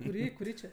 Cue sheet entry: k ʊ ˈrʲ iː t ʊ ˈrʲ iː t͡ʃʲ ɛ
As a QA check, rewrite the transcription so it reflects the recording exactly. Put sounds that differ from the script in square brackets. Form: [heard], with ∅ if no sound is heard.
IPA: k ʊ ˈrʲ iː [k] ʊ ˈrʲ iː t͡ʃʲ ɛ